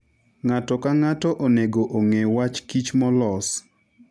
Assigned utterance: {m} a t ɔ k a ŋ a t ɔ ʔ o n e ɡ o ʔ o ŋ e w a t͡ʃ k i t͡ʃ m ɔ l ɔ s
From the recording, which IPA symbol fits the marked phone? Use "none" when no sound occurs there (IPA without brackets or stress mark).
ŋ